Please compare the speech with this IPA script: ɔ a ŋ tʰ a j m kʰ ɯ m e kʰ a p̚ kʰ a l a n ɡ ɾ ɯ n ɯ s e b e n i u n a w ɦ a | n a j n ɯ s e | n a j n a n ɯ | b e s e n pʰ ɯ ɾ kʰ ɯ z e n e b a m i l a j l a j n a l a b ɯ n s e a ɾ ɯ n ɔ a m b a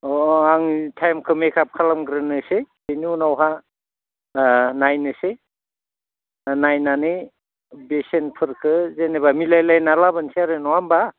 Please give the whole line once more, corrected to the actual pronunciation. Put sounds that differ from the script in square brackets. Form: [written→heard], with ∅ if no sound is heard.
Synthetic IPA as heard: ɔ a ŋ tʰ a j m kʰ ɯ m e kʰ a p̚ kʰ a l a [n→m] ɡ ɾ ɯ n ɯ s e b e n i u n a w ɦ a | n a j n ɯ s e | n a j n a n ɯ | b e s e n pʰ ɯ ɾ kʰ ɯ z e n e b a m i l a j l a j n a l a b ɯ n s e a ɾ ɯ n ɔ a m b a